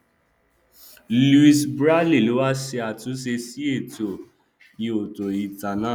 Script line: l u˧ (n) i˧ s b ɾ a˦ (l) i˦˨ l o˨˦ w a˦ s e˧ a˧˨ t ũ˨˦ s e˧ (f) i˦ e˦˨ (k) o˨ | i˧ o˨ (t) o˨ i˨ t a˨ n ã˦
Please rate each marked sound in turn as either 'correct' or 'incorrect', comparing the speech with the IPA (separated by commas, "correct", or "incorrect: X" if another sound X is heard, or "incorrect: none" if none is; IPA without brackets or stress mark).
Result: incorrect: none, correct, incorrect: s, incorrect: t, correct